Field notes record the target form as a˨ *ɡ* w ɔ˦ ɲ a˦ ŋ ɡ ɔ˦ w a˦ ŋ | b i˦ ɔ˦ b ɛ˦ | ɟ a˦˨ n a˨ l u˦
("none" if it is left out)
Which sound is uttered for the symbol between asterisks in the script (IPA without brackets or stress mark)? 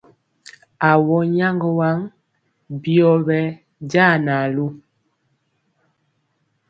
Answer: none